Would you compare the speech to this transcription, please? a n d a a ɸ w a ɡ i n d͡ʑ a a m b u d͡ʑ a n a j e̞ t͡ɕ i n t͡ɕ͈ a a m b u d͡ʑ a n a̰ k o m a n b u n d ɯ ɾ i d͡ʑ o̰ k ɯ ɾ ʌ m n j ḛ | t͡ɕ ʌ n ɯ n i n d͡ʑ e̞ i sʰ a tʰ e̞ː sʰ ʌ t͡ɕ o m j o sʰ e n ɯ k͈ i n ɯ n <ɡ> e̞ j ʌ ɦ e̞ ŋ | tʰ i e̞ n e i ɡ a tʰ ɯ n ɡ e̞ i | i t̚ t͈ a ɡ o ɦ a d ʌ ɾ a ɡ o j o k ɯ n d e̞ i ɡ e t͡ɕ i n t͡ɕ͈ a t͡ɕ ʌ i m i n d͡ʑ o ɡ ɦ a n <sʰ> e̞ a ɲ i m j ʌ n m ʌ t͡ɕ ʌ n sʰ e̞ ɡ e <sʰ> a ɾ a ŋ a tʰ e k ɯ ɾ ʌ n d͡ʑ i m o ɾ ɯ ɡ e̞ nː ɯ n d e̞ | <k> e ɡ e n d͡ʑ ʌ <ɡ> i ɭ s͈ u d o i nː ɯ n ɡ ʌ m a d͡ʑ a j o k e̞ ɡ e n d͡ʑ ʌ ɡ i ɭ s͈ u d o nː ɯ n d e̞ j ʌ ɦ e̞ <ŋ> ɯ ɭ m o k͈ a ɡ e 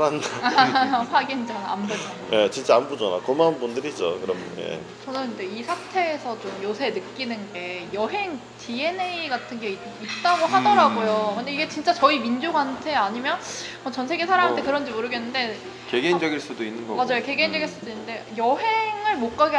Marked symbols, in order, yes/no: yes, no, yes, yes, yes, yes

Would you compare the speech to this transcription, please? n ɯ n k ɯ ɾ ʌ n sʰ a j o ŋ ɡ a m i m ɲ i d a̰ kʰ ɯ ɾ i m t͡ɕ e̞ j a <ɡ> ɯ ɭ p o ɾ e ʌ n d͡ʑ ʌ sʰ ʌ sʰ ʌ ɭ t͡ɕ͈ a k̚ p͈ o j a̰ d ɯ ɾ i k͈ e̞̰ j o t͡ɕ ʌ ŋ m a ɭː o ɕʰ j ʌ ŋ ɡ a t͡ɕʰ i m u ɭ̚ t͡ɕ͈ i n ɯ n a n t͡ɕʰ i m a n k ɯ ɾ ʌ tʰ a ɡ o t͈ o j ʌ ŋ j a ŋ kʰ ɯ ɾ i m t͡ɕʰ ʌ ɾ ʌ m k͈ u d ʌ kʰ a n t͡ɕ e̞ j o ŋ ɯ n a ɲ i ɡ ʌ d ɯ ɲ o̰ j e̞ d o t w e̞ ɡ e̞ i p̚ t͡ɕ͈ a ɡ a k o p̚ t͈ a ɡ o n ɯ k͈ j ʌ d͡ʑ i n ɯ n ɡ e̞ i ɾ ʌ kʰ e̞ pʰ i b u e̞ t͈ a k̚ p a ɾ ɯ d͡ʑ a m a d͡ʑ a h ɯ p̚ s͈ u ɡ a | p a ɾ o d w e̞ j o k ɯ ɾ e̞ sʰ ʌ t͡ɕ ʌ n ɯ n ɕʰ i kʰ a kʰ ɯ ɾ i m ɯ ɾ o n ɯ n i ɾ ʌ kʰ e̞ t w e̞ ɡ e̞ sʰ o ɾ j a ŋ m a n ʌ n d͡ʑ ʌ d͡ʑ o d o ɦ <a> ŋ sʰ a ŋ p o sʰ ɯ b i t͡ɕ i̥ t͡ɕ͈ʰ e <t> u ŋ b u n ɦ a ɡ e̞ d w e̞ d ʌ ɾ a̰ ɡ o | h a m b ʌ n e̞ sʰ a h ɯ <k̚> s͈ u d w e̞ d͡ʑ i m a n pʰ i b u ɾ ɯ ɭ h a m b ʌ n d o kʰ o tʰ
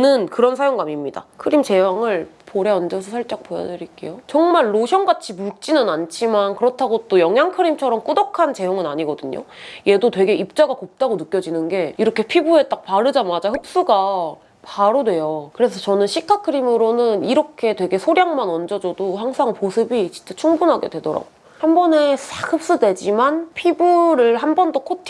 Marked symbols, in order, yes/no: no, yes, no, no

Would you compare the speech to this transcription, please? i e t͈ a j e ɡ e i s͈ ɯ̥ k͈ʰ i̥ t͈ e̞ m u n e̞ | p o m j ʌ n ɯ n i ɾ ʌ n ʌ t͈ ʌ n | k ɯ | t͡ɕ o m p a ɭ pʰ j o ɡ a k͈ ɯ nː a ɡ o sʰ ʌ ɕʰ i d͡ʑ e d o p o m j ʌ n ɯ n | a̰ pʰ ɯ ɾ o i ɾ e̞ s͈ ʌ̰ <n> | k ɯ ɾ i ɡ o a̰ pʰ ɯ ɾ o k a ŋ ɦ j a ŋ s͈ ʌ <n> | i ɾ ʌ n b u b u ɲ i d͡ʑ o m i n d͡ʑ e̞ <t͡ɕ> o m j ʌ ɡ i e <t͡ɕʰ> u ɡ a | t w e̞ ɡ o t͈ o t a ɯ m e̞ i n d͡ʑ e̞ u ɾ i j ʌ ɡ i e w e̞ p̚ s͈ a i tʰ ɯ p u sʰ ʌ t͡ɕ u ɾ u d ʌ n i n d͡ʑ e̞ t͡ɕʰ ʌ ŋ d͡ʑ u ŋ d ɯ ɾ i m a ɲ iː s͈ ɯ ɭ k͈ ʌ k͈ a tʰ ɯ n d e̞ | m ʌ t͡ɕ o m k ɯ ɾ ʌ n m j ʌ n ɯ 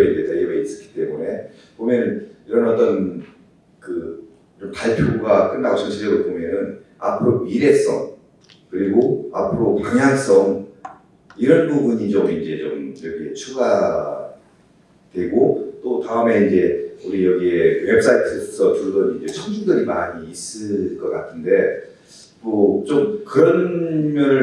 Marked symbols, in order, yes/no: no, no, yes, yes

